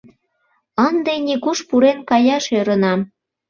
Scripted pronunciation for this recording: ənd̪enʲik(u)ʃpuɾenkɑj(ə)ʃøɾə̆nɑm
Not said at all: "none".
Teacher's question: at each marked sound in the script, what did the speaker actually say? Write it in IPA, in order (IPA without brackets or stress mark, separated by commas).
u, ɑ